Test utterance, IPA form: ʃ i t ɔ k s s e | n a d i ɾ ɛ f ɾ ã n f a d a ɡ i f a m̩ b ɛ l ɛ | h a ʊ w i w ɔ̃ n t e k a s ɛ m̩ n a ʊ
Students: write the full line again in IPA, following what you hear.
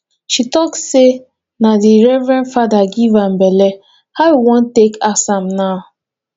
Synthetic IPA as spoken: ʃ i t ɔ k s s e | n a d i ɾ ɛ v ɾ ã n f a d a ɡ i v a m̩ b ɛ l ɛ | h a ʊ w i w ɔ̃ n t e k a s a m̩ n a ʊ